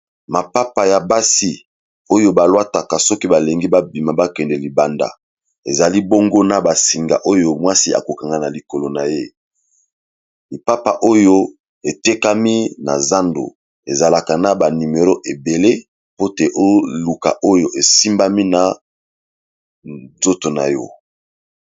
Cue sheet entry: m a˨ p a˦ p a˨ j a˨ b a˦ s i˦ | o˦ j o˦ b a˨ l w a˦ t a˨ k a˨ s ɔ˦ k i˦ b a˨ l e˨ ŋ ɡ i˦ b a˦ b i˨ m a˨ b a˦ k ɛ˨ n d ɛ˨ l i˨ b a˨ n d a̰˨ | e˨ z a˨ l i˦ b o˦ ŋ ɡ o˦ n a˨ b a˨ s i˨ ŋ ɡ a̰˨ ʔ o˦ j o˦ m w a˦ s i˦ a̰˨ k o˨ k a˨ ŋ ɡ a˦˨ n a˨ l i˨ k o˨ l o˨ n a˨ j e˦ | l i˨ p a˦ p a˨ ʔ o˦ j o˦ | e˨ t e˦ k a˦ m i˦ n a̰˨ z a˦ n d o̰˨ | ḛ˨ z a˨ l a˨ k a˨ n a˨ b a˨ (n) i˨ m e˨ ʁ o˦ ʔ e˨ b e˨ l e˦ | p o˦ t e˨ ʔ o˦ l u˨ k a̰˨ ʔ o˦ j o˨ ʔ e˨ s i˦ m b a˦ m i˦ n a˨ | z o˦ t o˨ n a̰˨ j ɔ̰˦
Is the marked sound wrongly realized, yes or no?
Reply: no